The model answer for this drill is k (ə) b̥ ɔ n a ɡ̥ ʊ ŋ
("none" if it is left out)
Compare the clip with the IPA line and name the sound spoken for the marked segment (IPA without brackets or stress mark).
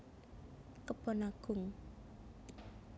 ə